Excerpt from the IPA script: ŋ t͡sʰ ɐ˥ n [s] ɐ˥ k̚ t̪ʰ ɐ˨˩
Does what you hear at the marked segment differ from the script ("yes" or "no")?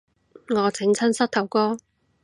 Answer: no